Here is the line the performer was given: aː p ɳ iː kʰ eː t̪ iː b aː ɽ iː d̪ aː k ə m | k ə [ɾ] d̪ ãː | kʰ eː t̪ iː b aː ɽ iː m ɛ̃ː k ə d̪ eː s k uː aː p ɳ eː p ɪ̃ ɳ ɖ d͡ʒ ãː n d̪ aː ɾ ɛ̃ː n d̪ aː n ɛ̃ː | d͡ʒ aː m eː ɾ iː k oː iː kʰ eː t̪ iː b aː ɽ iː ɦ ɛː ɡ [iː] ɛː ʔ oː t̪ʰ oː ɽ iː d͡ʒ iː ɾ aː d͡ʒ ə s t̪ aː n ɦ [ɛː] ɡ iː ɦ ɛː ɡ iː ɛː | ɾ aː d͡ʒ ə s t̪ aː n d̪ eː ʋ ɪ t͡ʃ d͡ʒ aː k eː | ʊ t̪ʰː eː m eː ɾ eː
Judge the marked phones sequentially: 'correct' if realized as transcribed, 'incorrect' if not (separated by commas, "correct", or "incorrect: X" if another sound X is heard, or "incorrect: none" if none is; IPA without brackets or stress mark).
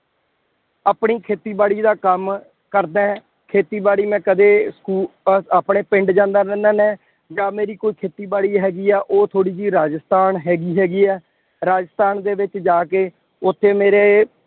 correct, correct, correct